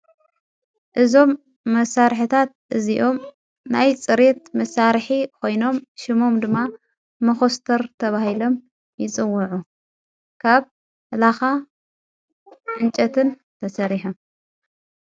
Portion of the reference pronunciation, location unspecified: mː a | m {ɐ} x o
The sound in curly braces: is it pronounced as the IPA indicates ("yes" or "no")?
yes